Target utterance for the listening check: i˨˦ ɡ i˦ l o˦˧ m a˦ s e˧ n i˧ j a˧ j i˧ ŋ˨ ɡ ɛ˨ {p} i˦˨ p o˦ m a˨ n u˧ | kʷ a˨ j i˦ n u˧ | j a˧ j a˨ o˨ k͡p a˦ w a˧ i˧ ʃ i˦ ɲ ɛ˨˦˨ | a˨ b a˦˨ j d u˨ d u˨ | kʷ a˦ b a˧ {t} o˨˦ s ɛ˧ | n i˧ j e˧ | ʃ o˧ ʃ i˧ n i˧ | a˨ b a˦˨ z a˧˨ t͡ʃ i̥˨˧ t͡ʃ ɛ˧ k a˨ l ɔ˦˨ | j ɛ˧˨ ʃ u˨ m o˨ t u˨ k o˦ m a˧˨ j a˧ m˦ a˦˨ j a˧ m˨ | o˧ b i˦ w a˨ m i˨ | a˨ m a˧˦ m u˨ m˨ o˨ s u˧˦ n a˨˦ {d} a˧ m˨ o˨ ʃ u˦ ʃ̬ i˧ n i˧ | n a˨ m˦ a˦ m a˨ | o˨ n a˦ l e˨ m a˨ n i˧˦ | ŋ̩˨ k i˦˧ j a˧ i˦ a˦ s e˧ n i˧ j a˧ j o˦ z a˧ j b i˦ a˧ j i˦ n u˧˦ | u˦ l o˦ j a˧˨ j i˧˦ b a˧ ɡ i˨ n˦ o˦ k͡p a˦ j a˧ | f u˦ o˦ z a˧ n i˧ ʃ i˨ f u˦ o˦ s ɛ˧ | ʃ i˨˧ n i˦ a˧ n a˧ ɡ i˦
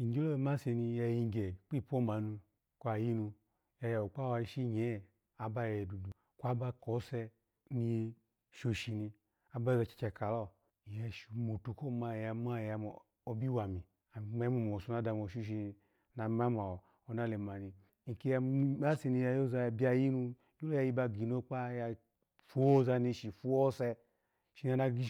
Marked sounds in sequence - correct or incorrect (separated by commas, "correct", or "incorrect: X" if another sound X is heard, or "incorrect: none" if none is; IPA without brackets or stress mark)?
incorrect: k͡p, incorrect: k, correct